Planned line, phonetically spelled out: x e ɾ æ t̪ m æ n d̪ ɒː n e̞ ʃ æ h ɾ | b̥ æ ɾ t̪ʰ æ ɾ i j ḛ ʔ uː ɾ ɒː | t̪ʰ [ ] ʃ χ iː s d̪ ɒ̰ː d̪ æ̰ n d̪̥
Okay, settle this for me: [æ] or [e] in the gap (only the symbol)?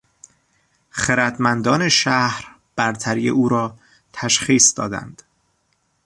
æ